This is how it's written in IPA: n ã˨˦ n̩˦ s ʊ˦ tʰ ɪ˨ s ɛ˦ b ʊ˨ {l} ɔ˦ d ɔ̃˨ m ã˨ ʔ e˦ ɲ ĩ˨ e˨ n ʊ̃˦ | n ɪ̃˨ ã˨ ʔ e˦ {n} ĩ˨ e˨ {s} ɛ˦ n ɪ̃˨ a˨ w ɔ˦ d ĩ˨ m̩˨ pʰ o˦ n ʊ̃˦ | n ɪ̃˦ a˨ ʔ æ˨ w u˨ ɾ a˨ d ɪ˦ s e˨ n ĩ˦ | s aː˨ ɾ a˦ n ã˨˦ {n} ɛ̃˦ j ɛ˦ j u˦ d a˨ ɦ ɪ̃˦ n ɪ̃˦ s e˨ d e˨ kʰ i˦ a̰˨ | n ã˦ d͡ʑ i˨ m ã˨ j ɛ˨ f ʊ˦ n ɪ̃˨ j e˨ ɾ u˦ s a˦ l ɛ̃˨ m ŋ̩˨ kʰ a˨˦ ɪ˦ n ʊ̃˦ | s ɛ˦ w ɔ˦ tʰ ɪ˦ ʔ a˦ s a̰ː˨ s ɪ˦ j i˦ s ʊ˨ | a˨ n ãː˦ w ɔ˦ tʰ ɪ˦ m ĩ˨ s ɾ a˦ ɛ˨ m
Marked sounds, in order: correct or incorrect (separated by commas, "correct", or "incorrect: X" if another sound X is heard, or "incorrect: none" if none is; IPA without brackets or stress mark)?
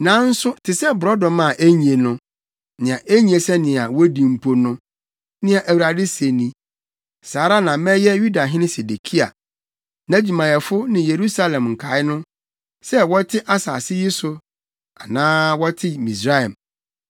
incorrect: ɾ, incorrect: ɲ, correct, incorrect: m